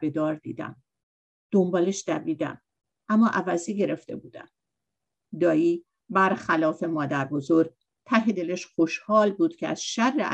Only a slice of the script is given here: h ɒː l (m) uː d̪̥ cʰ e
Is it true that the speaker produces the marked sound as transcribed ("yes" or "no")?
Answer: no